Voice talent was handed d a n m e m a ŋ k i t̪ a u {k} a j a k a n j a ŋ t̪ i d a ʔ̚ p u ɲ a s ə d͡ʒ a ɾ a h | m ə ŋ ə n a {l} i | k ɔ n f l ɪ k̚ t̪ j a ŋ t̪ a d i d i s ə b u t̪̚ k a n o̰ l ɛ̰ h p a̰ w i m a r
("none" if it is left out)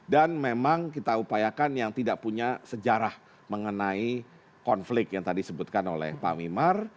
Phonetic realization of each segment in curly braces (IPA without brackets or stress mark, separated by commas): p, none